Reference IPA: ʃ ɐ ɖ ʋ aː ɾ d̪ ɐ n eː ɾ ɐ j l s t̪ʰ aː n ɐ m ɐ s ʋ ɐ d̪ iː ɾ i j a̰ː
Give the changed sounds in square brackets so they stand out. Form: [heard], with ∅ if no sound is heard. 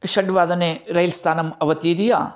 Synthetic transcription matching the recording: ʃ ɐ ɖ ʋ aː [∅] d̪ ɐ n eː ɾ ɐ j l s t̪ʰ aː n ɐ m ɐ [∅] ʋ ɐ [t̪] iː ɾ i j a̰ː